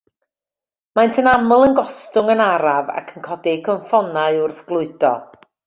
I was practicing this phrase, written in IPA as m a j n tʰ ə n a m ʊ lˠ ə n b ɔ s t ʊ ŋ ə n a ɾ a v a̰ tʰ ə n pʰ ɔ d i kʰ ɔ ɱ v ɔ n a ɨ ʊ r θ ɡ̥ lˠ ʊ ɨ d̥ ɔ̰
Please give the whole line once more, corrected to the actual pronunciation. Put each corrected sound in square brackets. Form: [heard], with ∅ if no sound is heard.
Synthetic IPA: m a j n tʰ ə n a m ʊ lˠ ə n [ɡ] ɔ s t ʊ ŋ ə n a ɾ a v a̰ [kʰ] ə n [kʰ] ɔ d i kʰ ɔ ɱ [f] ɔ n a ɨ ʊ r θ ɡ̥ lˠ ʊ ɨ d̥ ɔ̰